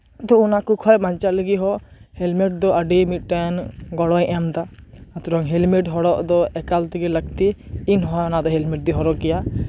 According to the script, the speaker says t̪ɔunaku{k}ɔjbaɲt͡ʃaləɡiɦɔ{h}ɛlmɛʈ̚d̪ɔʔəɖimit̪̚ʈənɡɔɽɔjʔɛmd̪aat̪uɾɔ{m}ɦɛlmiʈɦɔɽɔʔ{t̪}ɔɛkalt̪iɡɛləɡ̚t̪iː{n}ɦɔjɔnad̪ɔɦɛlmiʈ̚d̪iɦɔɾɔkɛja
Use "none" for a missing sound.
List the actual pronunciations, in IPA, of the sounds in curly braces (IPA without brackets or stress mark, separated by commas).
kʰ, h, ŋ, d̪, n